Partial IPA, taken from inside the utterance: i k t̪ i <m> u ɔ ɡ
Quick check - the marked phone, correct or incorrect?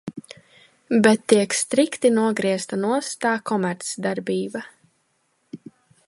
incorrect